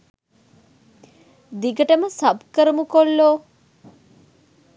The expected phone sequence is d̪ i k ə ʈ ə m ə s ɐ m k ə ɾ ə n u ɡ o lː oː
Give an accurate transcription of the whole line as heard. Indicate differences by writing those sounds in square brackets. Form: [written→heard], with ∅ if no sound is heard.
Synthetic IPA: d̪ i [k→ɡ] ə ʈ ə m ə s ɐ [m→b] k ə ɾ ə [n→m] u [ɡ→k] o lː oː